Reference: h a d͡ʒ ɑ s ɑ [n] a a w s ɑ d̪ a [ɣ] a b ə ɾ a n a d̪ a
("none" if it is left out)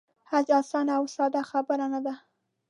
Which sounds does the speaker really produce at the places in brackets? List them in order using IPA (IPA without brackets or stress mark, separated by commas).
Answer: n, x